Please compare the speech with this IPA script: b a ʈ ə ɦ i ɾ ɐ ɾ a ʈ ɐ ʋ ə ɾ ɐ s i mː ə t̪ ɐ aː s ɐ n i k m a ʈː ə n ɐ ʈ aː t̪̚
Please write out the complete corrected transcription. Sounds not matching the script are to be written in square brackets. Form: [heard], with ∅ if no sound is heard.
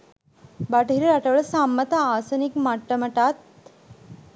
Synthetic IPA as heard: b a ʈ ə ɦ i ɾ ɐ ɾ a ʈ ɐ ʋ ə [ɭ] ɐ s [a] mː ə t̪ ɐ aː s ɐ n i k m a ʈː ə [m] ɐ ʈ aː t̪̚